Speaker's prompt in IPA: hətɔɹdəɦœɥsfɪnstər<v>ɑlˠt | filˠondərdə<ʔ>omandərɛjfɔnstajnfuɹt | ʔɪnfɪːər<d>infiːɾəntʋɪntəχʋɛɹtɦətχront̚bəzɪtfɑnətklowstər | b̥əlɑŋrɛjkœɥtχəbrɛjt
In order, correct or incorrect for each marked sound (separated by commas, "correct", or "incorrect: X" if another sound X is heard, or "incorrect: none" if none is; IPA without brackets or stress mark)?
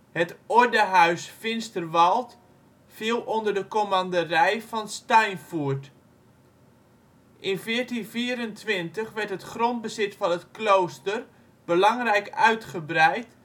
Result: incorrect: ʋ, incorrect: k, incorrect: t